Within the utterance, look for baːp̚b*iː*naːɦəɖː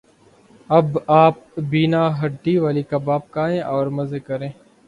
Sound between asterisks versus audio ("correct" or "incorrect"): correct